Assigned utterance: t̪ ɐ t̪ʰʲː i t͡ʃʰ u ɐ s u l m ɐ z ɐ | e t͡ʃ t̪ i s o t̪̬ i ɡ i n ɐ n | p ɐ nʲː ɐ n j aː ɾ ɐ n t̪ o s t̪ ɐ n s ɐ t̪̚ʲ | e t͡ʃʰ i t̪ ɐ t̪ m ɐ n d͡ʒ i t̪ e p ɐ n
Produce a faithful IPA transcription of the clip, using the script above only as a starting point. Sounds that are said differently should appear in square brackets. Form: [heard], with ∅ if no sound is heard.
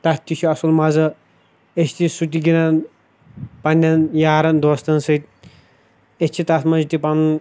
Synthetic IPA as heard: t̪ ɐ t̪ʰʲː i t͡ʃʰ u ɐ s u l m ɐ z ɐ | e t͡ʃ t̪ i s [u] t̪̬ i ɡ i n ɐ n | p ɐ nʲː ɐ n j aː ɾ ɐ n [d̪] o s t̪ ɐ n s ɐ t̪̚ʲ | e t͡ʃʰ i t̪ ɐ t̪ m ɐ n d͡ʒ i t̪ [i] p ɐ n